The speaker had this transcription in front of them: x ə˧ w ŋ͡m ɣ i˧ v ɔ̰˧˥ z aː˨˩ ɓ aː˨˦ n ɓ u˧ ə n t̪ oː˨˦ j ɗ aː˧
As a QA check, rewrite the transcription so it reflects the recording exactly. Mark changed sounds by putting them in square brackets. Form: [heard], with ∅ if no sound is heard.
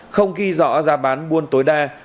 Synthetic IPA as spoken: x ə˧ w ŋ͡m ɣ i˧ [z] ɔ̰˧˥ z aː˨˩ ɓ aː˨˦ n ɓ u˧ ə n t̪ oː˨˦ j ɗ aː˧

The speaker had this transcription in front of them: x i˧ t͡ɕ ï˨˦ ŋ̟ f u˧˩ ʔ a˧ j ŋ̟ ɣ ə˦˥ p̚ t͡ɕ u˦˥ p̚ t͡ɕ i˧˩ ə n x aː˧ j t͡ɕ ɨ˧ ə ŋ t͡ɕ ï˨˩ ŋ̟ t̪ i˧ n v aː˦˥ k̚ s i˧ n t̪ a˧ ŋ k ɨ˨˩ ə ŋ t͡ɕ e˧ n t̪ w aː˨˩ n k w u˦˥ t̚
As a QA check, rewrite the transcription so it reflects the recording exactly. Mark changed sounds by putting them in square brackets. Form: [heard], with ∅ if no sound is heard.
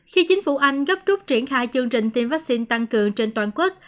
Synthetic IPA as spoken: x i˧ t͡ɕ ï˨˦ ŋ̟ f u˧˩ ʔ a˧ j ŋ̟ ɣ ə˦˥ p̚ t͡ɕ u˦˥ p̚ t͡ɕ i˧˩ ə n x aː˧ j t͡ɕ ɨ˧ ə ŋ t͡ɕ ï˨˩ ŋ̟ t̪ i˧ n v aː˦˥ k̚ s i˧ n t̪ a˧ ŋ k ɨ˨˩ ə ŋ t͡ɕ e˧ n t̪ w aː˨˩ n k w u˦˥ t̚

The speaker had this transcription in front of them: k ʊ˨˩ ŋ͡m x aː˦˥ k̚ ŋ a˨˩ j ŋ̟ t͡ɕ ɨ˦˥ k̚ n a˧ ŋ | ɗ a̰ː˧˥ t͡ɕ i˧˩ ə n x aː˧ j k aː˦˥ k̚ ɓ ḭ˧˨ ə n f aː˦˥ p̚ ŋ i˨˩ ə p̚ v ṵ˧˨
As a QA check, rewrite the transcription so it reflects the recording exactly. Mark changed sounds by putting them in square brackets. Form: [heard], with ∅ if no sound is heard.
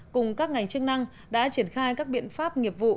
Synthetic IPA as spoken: k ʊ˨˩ ŋ͡m [k] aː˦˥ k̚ ŋ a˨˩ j ŋ̟ t͡ɕ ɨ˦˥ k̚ n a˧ ŋ | ɗ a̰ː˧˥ t͡ɕ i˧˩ ə n x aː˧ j k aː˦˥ k̚ ɓ ḭ˧˨ ə n f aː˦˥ p̚ ŋ i˨˩ ə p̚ v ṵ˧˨

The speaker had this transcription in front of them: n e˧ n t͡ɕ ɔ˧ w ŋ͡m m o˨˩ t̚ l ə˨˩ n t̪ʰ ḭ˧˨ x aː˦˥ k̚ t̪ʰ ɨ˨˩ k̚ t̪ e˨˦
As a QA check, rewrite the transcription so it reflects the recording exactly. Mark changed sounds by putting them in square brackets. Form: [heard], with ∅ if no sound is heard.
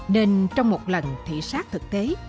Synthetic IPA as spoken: n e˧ n t͡ɕ ɔ˧ w ŋ͡m m o˨˩ t̚ l ə˨˩ n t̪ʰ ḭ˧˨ [s] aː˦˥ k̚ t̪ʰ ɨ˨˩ k̚ t̪ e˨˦

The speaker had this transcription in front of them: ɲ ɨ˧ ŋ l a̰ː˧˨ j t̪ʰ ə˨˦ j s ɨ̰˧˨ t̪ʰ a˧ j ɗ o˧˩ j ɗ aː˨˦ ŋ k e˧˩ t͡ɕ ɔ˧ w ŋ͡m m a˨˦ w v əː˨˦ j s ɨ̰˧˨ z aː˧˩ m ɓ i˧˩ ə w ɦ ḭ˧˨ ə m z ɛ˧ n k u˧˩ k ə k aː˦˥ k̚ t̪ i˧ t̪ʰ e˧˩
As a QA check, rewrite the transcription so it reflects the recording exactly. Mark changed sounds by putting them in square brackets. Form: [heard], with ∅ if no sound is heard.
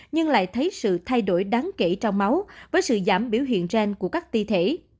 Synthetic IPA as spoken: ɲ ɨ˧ ŋ l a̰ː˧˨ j t̪ʰ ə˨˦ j s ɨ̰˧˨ t̪ʰ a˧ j ɗ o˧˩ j ɗ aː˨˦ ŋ k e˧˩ t͡ɕ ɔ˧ w ŋ͡m m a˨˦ w v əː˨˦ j s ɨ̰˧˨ z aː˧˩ m ɓ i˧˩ ə w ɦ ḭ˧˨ ə [n] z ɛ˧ n k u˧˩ [∅] ə k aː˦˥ k̚ t̪ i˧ t̪ʰ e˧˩

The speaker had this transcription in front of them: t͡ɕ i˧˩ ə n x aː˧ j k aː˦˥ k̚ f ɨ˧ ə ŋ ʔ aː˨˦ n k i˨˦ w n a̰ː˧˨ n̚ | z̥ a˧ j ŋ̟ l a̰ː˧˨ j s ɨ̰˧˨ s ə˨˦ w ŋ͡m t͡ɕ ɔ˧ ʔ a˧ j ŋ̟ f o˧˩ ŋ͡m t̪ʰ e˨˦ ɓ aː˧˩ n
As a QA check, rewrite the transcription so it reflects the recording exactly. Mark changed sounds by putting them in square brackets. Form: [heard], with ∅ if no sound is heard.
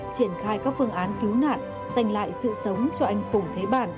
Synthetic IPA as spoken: t͡ɕ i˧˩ ə n x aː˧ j k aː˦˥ k̚ f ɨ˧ ə ŋ ʔ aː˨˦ n k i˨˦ w n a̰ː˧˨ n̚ | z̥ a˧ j ŋ̟ l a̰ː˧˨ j s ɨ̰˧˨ s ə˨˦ w ŋ͡m t͡ɕ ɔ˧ ʔ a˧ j ŋ̟ f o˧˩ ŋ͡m t̪ʰ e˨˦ ɓ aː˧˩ n

